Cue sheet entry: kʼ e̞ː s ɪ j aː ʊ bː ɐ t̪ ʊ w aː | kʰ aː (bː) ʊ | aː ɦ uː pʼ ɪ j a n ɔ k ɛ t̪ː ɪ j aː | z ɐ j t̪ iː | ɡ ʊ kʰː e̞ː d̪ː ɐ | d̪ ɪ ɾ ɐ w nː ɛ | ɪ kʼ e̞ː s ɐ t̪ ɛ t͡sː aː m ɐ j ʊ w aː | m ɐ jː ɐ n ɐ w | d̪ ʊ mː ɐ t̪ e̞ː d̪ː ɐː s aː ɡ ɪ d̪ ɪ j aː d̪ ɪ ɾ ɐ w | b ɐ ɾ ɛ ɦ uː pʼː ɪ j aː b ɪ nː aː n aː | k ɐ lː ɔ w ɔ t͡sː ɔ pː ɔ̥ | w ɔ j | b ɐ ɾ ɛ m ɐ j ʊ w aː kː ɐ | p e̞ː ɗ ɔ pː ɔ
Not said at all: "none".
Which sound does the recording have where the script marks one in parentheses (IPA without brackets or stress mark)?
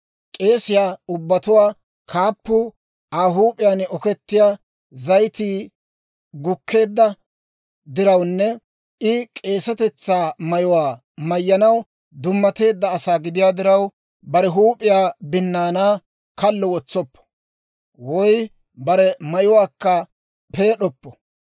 pː